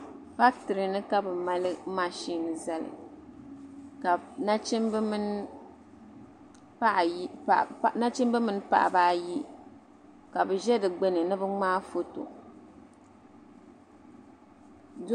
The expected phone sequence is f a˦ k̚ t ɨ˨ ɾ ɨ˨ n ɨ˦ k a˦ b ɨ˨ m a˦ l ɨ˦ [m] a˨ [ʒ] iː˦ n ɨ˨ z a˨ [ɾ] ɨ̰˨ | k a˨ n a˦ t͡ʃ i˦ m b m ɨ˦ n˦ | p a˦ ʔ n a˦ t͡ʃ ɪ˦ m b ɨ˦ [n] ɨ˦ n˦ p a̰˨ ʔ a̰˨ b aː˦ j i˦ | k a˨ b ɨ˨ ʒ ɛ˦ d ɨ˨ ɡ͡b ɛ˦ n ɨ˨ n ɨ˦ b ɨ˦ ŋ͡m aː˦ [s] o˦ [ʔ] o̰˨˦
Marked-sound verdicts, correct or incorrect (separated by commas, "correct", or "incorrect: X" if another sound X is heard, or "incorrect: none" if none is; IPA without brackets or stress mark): correct, incorrect: ʃ, incorrect: l, incorrect: m, incorrect: f, incorrect: t